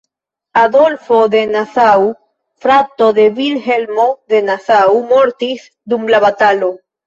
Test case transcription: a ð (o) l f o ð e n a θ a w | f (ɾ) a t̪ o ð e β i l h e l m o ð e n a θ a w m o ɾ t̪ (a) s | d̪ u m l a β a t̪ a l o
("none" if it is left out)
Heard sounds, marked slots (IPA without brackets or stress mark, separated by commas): o, ɾ, i